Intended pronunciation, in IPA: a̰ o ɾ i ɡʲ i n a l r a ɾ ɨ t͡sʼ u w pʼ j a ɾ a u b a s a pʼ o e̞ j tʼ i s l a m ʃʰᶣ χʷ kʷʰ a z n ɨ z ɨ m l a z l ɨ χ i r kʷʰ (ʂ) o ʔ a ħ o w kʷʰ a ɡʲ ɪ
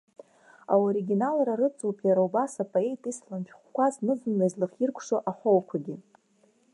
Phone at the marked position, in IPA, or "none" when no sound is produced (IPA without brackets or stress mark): ʂ